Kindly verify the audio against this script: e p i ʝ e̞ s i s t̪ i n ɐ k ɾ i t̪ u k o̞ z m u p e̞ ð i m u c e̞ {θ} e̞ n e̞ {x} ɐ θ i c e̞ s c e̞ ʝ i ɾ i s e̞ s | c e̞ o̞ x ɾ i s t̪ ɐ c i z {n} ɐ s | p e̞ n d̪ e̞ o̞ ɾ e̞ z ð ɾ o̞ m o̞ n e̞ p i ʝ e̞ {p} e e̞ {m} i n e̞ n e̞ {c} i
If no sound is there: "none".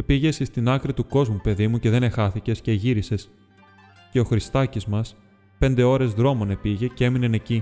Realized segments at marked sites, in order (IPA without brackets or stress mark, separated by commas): ð, x, m, c, m, c